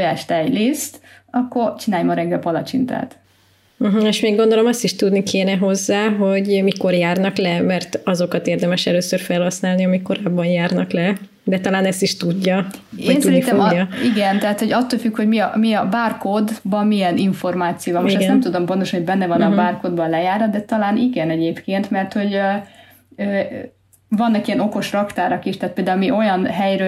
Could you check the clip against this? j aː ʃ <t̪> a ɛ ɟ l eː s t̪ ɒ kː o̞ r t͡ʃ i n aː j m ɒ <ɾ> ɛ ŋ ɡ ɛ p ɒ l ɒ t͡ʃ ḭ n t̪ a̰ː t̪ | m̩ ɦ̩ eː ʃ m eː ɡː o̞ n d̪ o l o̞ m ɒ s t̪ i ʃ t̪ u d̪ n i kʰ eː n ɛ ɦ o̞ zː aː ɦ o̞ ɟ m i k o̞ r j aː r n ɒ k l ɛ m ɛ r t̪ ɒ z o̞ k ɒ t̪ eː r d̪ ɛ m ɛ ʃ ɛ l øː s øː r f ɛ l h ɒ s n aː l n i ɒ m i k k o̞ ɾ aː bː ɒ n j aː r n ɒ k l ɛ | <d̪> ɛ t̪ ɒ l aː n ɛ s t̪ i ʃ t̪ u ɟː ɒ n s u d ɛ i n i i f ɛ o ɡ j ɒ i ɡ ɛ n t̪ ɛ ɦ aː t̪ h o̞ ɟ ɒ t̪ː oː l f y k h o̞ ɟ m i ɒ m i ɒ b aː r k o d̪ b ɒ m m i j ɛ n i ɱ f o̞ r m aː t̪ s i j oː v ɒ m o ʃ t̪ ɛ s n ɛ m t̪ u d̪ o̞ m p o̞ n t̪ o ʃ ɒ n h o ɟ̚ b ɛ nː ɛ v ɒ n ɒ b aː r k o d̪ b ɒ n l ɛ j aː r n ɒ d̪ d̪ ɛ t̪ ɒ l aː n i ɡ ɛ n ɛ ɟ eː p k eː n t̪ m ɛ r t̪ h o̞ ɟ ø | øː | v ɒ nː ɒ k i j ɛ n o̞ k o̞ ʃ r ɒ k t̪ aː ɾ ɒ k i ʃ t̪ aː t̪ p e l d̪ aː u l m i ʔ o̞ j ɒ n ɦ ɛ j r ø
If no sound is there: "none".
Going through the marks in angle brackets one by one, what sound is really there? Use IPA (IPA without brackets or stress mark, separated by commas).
t̪, ɾ, d̪